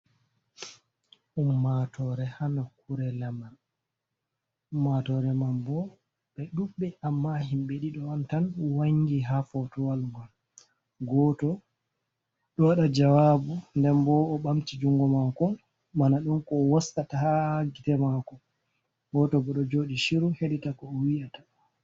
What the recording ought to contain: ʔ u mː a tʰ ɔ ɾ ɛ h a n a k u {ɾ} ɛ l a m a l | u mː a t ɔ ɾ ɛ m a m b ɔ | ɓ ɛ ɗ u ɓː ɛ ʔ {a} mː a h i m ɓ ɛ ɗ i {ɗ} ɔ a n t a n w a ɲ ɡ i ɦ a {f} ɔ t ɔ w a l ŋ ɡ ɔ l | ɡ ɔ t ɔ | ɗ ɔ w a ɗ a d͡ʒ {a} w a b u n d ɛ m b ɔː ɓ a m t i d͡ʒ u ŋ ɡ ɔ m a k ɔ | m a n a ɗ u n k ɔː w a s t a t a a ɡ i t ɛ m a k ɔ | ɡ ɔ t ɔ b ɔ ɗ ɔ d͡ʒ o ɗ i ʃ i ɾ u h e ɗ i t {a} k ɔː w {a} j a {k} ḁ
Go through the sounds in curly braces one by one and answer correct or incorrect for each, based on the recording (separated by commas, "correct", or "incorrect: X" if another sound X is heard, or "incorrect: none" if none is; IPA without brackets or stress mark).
correct, correct, correct, correct, correct, correct, incorrect: i, incorrect: t